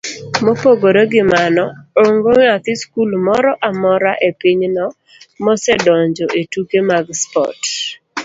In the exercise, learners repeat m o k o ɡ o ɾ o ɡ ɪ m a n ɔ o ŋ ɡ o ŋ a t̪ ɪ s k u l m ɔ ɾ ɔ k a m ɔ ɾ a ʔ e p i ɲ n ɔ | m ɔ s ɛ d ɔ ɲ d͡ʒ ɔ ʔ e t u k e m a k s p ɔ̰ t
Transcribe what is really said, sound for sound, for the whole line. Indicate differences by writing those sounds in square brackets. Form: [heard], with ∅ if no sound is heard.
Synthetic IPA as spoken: m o [p] o ɡ o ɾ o ɡ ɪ m a n ɔ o ŋ ɡ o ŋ a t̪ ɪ s k u l m ɔ ɾ ɔ [ʔ] a m ɔ ɾ a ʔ e p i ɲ n ɔ | m ɔ s ɛ d ɔ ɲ d͡ʒ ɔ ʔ e t u k e m a [ɡ] s p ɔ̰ t